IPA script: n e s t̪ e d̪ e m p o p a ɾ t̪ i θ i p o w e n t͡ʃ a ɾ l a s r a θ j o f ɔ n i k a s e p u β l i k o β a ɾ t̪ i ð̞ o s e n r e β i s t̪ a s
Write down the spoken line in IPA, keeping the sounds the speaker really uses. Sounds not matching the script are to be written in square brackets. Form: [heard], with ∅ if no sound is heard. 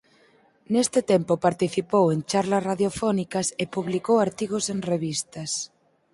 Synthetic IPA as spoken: n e s t̪ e [t̪] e m p o p a ɾ t̪ i θ i p o w e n t͡ʃ a ɾ l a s r a [ð] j o f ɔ n i k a s e p u β l i k o [w] a ɾ t̪ i [ɣ̞] o s e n r e β i s t̪ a s